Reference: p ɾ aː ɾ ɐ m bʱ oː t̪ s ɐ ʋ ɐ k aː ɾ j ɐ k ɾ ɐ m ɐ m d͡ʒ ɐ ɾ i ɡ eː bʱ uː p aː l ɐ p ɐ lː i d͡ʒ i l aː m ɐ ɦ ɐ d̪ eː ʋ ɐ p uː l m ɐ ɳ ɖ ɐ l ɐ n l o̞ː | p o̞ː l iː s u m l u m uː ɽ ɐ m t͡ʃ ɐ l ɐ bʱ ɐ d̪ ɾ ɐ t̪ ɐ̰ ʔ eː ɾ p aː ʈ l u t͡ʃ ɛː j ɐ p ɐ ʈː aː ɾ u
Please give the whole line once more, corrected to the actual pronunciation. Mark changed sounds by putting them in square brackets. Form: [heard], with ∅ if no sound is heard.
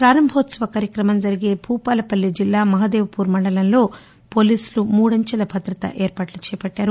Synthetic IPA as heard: p ɾ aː ɾ ɐ m bʱ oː t̪ s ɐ ʋ ɐ k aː ɾ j ɐ k ɾ ɐ m ɐ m d͡ʒ ɐ ɾ i ɡ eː bʱ uː p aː l ɐ p ɐ lː i d͡ʒ i [lː] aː m ɐ ɦ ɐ d̪ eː ʋ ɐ p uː [ɾ] m ɐ ɳ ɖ ɐ l ɐ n l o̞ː | p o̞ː l iː s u [∅] l u m uː ɽ ɐ [ɲ] t͡ʃ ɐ l ɐ bʱ ɐ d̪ ɾ ɐ t̪ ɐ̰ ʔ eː ɾ p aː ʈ l u t͡ʃ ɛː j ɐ p ɐ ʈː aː ɾ u